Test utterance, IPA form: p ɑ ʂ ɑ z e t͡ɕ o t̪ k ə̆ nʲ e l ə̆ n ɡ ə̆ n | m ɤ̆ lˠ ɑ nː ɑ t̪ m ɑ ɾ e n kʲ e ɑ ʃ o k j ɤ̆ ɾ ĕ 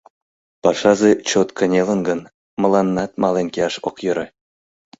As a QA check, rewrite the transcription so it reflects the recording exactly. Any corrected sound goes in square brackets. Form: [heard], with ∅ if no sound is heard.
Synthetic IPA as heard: p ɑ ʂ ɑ z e t͡ɕ o t̪ k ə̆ nʲ e l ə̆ n ɡ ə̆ n | m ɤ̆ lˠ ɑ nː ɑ t̪ m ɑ [l] e n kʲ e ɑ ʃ o k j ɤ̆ ɾ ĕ